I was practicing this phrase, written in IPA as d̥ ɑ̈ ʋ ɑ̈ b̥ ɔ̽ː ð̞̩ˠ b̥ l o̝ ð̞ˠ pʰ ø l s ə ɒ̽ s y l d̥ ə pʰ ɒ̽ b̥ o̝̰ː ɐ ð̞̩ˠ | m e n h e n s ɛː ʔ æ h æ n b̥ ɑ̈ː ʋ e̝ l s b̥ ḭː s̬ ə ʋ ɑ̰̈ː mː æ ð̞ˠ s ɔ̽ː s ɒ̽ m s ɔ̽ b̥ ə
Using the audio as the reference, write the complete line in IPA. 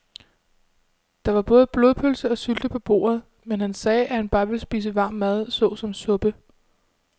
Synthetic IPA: d̥ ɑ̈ ʋ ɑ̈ b̥ ɔ̽ː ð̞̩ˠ b̥ l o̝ ð̞ˠ pʰ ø l s ə ɒ̽ s y l d̥ ə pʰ ɒ̽ b̥ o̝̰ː ɐ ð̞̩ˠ | m e n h æ n s ɛː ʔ æ h æ n b̥ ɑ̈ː ʋ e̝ l s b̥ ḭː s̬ ə ʋ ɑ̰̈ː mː æ ð̞ˠ s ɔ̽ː s ɒ̽ m s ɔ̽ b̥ ə

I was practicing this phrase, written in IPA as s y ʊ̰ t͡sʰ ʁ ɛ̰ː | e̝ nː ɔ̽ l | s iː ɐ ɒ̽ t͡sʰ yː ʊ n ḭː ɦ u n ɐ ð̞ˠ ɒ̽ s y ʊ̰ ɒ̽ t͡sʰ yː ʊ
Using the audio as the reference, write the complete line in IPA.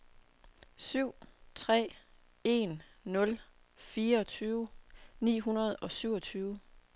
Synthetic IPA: s y ʊ̰ t͡sʰ ʁ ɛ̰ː | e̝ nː ɔ̽ l | f iː ɐ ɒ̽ t͡sʰ yː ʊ n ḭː ɦ u n ɐ ð̞ˠ ɒ̽ s y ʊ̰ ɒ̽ t͡sʰ yː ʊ

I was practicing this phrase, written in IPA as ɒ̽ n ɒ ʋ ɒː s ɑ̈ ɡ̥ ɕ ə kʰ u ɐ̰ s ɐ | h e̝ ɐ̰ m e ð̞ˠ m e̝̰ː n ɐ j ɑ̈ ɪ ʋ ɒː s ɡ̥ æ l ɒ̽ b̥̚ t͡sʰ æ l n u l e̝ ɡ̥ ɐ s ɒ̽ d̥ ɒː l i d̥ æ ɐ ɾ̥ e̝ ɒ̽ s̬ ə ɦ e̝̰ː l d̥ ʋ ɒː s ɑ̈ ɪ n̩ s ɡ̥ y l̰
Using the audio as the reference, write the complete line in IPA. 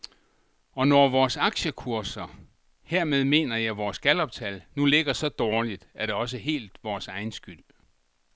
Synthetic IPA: ɒ̽ n ɒ ʋ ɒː s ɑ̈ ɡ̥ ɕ ə kʰ u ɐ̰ s ɐ | h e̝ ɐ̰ m e ð̞ˠ m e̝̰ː n ɐ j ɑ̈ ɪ ʋ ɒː s ɡ̥ æ l ɒ̽ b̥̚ t͡sʰ æ l n u l e̝ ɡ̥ ɐ s ɒ̽ d̥ ɒː l i d̥ æ ɐ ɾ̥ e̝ ɒ̽ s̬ ə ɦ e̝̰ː l d̥ ʋ ɒː s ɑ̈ ɪ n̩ s ɡ̥ y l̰

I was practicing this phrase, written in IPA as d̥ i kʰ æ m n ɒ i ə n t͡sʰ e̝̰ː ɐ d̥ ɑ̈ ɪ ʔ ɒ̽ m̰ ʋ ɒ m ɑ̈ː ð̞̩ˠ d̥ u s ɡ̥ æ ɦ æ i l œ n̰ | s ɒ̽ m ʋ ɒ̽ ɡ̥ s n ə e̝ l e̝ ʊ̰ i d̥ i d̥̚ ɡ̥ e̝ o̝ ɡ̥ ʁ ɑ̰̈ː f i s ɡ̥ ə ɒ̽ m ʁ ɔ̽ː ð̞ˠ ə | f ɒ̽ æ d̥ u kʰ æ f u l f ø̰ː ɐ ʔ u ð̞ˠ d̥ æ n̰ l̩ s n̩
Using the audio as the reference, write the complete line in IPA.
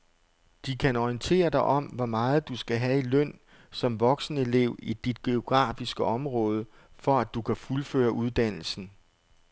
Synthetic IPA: d̥ i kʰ æ n ɒ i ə n t͡sʰ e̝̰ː ɐ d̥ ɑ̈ ɪ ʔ ɒ̽ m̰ ʋ ɒ m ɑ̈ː ð̞̩ˠ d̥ u s ɡ̥ æ ɦ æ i l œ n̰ | s ɒ̽ m ʋ ɒ̽ ɡ̥ s n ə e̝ l e̝ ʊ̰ i d̥ i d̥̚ ɡ̥ e̝ o̝ ɡ̥ ʁ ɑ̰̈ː f i s ɡ̥ ə ɒ̽ m ʁ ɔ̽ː ð̞ˠ ə | f ɒ̽ æ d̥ u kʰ æ f u l f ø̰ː ɐ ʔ u ð̞ˠ d̥ æ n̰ l̩ s n̩

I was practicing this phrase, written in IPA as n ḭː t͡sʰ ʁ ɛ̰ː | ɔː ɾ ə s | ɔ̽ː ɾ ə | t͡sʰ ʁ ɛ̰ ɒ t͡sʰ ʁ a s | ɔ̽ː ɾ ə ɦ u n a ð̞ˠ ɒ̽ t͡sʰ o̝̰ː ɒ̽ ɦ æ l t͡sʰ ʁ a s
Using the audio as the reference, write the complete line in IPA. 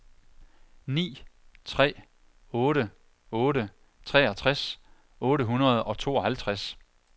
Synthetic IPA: n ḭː t͡sʰ ʁ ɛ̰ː | ɔː ɾ ə | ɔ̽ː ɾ ə | t͡sʰ ʁ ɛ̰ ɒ t͡sʰ ʁ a s | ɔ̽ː ɾ ə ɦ u n ɐ ð̞ˠ ɒ̽ t͡sʰ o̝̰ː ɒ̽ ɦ æ l t͡sʰ ʁ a s

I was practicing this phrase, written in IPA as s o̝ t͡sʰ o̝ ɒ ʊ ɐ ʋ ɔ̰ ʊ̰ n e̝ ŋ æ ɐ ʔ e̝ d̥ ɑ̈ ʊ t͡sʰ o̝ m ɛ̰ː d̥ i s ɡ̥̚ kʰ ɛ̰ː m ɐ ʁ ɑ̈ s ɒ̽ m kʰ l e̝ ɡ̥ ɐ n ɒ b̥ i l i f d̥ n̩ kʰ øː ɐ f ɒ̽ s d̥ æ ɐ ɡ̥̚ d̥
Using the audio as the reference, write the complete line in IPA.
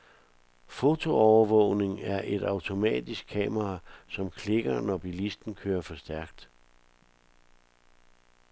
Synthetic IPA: f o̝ t͡sʰ o̝ ɒ ʊ ɐ ʋ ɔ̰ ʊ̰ n e̝ ŋ æ ɐ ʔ e̝ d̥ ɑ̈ ʊ t͡sʰ o̝ m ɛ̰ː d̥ i s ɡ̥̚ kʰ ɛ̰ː m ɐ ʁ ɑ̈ s ɒ̽ m kʰ l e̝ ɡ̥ ɐ n ɒ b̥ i l i s d̥ n̩ kʰ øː ɐ f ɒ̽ s d̥ æ ɐ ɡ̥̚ d̥

